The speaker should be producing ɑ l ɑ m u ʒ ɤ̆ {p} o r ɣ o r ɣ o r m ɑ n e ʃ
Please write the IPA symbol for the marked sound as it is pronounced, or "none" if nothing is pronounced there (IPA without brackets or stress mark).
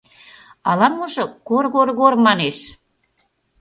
k